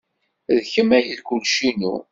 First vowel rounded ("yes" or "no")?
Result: no